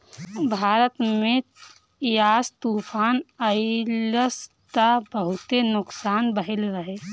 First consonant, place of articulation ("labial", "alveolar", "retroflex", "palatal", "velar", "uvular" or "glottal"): labial